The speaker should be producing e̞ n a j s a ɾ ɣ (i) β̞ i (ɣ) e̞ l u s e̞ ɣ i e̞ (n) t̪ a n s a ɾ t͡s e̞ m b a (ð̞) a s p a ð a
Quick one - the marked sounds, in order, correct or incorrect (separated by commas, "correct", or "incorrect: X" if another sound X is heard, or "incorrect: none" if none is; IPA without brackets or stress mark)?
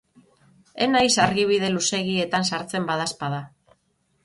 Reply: correct, incorrect: ð, incorrect: none, correct